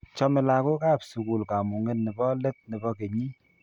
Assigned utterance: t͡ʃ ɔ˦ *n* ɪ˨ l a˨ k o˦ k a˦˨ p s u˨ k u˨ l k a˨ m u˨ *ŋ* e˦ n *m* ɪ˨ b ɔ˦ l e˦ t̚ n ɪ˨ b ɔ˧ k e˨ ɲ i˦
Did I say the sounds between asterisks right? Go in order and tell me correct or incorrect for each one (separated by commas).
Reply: incorrect, correct, incorrect